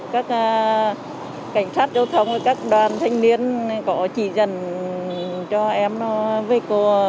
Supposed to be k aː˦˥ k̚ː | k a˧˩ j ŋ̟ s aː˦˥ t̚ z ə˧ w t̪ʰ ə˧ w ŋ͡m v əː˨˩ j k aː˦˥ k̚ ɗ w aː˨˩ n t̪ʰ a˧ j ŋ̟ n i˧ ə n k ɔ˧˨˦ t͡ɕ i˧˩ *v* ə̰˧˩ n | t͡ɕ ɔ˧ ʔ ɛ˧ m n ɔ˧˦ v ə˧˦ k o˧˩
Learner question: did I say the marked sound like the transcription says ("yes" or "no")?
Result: no